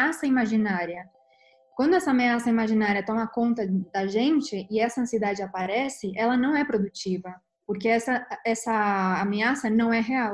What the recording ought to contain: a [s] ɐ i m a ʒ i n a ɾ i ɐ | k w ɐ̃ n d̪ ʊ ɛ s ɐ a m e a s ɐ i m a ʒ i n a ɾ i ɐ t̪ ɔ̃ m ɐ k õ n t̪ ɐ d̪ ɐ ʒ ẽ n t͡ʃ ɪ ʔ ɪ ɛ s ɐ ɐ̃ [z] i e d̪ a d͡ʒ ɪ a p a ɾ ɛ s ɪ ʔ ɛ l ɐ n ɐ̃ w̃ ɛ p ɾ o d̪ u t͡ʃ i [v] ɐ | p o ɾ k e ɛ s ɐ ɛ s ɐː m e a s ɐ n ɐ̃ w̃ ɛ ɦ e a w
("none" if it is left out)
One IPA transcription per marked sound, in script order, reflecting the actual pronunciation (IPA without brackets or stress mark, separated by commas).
s, s, v